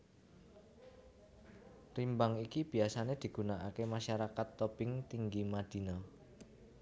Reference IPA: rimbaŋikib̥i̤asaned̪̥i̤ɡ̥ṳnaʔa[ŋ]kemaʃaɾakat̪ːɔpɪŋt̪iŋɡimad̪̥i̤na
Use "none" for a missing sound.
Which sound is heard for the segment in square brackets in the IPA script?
none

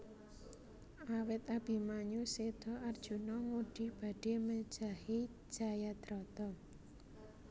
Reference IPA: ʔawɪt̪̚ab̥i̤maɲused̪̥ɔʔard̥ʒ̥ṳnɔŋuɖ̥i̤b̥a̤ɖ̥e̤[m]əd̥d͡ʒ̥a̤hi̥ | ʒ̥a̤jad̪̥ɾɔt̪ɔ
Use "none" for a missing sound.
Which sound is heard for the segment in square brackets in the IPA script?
m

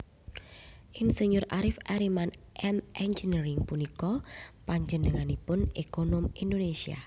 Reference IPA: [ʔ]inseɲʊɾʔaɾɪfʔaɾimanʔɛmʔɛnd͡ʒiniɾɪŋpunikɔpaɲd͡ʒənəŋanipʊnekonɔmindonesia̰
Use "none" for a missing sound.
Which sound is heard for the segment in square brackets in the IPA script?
ʔ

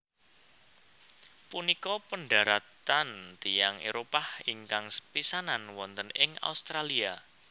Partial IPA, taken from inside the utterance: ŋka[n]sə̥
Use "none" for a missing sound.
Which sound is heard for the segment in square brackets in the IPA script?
ŋ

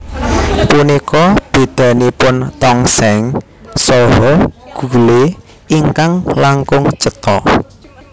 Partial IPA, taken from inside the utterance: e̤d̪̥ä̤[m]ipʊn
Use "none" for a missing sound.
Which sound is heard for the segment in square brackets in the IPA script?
n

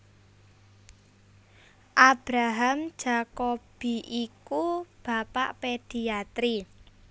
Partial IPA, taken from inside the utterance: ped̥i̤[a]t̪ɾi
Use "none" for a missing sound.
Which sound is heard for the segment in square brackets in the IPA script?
a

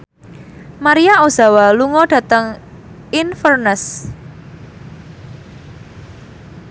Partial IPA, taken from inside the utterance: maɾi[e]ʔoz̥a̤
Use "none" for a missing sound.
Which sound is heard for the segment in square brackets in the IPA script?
a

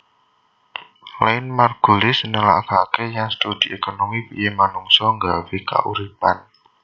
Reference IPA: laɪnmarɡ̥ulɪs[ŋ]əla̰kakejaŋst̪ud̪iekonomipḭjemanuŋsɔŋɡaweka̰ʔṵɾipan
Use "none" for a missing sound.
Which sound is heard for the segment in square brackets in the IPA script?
n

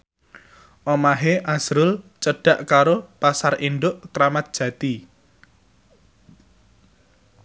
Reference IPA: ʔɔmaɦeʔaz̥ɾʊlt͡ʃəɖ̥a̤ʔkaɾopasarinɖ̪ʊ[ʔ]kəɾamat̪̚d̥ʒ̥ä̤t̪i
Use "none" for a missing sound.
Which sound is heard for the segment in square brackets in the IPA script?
ʔ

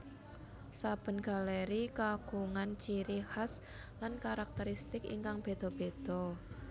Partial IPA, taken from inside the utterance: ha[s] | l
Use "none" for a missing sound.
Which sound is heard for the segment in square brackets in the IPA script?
s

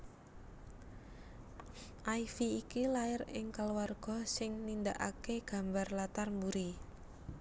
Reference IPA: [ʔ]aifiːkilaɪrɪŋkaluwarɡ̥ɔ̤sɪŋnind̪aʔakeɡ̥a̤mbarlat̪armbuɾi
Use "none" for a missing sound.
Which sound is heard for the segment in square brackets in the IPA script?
ʔ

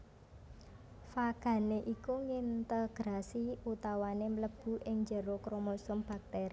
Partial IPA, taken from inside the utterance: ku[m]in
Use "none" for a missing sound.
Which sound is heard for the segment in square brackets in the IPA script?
ŋ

